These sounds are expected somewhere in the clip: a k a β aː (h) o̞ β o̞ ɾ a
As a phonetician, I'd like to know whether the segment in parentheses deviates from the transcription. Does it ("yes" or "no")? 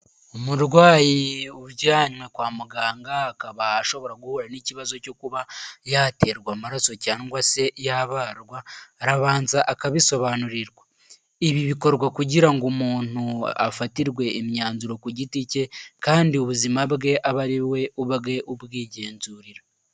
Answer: yes